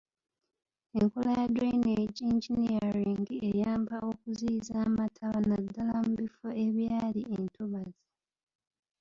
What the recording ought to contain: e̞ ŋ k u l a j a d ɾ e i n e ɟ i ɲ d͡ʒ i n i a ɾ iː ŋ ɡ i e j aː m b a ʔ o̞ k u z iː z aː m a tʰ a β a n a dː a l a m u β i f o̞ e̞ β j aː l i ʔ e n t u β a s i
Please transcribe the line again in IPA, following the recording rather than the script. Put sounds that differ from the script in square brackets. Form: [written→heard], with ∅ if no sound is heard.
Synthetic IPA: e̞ ŋ k [u→o] l a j a d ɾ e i n e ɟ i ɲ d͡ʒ i n i a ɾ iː ŋ ɡ i e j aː m b a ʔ o̞ k u z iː z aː m a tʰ a β a n a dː a l a m u β i f o̞ e̞ β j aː l i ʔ e n t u β a [s→z] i